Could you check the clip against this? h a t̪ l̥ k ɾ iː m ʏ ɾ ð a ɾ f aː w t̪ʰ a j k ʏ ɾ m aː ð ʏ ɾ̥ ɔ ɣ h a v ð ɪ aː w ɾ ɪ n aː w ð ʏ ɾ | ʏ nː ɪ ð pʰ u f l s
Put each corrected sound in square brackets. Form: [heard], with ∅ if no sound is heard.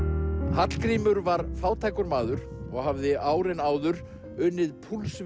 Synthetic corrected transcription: h a t̪ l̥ k ɾ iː m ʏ ɾ [v] a ɾ f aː w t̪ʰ a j k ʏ ɾ m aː ð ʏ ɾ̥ ɔ ɣ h a v ð ɪ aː w ɾ ɪ n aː w ð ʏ ɾ | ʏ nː ɪ ð pʰ u [∅] l s